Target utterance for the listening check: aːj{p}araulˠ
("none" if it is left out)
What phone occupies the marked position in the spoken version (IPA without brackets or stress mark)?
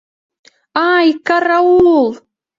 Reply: k